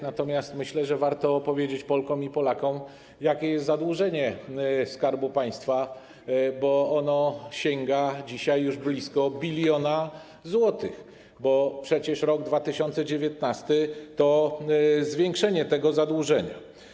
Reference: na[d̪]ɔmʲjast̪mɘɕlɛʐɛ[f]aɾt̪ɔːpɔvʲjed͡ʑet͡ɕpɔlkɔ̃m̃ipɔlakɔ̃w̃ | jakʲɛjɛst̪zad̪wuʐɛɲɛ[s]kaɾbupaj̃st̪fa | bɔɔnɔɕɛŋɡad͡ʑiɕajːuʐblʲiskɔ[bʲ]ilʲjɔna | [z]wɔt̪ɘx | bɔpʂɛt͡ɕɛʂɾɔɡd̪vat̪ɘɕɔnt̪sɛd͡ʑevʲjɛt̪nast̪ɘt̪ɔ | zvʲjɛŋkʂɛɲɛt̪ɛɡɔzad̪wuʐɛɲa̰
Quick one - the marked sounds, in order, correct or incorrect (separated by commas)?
incorrect, incorrect, correct, correct, correct